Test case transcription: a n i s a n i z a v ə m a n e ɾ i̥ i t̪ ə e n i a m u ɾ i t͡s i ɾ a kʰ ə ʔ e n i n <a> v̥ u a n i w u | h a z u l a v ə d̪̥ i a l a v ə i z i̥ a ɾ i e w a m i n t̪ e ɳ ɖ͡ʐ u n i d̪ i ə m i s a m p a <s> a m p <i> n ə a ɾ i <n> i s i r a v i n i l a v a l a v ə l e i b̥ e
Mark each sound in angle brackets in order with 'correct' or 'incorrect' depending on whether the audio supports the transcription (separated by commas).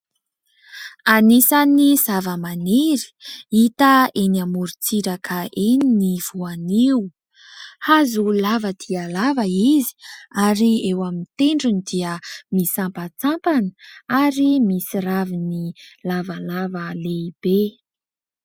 incorrect, incorrect, incorrect, incorrect